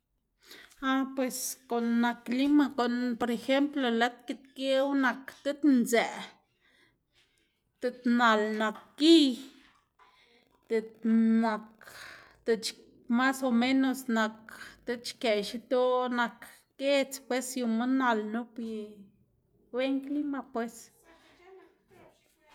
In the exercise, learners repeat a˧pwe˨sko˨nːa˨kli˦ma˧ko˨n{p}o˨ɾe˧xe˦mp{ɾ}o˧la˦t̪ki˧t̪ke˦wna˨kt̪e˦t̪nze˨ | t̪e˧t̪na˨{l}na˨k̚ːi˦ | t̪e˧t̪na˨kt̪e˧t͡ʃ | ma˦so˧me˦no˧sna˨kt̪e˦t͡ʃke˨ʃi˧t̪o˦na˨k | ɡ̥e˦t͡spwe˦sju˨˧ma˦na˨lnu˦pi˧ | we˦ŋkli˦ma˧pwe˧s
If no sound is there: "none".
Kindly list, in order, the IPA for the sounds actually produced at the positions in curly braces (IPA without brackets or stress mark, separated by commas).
p, l, l